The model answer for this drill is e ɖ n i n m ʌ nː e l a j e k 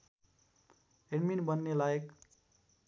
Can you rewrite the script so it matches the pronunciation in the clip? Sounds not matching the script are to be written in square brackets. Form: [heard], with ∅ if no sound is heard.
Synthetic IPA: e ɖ [m] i n [b] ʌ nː e l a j e k